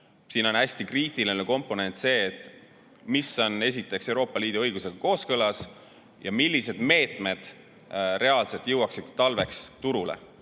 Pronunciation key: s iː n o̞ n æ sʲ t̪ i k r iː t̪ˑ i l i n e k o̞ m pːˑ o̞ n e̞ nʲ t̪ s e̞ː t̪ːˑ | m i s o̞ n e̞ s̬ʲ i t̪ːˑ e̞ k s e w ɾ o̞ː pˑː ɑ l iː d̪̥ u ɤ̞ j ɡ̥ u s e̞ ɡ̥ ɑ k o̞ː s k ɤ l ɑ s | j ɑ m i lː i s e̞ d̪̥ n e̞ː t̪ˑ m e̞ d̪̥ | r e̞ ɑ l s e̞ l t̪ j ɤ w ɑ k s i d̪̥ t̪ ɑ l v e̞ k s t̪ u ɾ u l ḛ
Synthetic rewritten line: s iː n o̞ n æ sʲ t̪ i k r iː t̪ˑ i l i n e k o̞ m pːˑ o̞ n e̞ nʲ t̪ s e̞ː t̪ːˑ | m i s o̞ n e̞ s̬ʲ i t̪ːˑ e̞ k s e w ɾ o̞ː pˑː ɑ l iː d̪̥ u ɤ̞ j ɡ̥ u s e̞ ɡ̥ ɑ k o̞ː s k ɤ l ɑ s | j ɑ m i lː i s e̞ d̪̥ m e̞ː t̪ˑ m e̞ d̪̥ | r e̞ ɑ l s e̞ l t̪ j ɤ w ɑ k s i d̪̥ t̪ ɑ l v e̞ k s t̪ u ɾ u l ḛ

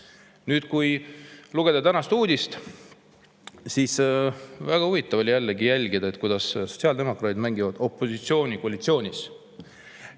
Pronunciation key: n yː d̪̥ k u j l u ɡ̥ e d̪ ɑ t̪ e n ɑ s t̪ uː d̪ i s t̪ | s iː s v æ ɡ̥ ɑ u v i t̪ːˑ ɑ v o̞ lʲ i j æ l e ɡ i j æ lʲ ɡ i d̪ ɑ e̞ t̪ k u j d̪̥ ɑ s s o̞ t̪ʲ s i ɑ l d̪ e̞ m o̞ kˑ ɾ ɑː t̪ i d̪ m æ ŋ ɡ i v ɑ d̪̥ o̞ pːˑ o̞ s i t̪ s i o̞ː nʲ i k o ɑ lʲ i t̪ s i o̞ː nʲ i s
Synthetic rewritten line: n yː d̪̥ k u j l u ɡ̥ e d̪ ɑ t̪ æ n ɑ s t̪ uː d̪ i s t̪ | s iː s v æ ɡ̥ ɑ u v i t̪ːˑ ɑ v o̞ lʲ i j æ lː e ɡ i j æ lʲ ɡ i d̪ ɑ e̞ t̪ k u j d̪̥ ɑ s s o̞ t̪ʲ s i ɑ l d̪ e̞ m o̞ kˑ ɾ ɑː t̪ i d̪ m æ ŋ ɡ i v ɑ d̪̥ o̞ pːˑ o̞ s i t̪ s i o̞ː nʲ i k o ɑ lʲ i t̪ s i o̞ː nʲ i s

